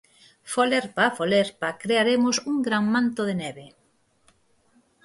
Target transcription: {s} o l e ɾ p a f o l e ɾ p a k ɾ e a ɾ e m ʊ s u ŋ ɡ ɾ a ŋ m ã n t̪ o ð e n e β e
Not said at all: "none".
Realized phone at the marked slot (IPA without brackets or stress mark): f